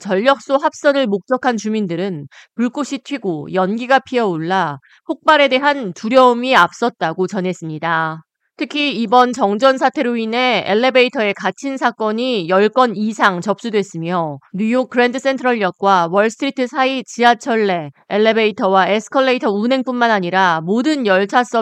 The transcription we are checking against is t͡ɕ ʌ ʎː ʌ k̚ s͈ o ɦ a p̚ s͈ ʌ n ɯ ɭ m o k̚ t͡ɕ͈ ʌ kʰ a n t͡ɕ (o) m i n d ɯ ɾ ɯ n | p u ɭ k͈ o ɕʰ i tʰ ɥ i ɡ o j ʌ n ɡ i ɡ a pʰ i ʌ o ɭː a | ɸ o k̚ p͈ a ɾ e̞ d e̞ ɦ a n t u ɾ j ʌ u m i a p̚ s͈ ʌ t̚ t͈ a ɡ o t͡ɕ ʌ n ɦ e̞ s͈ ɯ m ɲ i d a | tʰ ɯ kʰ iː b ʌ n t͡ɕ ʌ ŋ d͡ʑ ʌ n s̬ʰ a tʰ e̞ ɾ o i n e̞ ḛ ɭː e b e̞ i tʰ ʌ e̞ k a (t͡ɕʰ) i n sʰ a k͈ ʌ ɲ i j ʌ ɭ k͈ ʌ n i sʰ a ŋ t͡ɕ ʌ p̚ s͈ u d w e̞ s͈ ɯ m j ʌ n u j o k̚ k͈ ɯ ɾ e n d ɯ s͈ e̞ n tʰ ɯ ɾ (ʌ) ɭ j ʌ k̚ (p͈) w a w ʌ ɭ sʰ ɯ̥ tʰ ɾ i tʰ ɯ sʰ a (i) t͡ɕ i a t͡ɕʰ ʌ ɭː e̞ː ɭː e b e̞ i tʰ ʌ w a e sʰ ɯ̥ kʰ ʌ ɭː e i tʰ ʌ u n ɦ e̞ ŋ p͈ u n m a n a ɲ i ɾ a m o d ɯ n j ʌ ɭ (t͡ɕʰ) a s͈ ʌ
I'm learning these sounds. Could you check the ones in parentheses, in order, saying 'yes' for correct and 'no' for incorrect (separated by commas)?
no, yes, yes, no, yes, yes